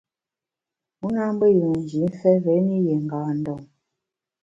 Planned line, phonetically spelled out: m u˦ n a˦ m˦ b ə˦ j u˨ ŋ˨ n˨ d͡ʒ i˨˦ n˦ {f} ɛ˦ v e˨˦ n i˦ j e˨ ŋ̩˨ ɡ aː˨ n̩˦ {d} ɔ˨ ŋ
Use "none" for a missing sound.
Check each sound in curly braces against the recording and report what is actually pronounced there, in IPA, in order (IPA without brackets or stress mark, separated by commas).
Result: f, d